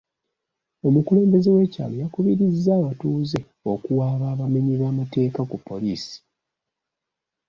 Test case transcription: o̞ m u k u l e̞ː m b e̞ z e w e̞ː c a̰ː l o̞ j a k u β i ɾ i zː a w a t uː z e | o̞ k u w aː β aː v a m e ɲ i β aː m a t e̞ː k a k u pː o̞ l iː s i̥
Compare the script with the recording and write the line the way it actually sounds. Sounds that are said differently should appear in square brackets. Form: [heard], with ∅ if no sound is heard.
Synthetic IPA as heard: o̞ m u k u l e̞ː m b e̞ z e w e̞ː c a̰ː l o̞ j a k u β i ɾ i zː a w a t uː z e | o̞ k u w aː β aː [β] a m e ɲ i β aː m a t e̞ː k a k u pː o̞ l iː s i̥